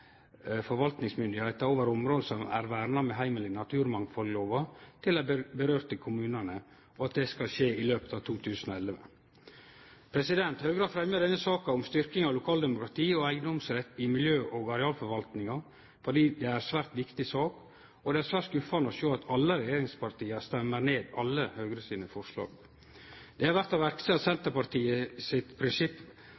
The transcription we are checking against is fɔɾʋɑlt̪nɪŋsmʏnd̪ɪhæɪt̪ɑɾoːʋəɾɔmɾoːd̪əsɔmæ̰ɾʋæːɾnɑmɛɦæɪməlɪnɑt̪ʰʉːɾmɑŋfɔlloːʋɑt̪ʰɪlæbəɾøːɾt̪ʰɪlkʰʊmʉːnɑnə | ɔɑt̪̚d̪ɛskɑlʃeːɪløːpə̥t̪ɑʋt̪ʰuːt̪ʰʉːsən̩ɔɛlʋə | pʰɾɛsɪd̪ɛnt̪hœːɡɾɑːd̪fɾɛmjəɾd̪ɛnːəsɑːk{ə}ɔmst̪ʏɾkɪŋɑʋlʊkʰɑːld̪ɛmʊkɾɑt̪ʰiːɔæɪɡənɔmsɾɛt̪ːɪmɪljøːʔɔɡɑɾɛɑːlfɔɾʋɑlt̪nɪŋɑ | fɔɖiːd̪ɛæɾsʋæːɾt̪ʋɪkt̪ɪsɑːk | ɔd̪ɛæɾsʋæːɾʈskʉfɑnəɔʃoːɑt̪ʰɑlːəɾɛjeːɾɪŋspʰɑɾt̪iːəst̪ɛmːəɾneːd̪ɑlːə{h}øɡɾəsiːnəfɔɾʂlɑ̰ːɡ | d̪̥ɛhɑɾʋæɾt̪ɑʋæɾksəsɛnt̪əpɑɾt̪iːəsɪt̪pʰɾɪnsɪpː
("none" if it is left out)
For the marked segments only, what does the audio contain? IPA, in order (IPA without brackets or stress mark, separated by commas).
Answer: ɑ, h